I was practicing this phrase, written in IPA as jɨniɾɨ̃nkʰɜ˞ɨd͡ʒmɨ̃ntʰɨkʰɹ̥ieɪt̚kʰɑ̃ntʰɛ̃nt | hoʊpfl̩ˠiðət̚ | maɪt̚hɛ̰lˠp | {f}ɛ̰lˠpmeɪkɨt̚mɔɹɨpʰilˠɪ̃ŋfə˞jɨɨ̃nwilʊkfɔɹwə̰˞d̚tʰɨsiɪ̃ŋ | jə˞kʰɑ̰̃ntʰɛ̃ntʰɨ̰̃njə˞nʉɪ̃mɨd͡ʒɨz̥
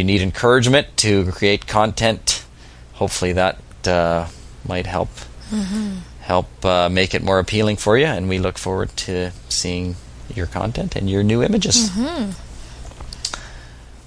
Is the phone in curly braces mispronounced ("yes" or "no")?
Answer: yes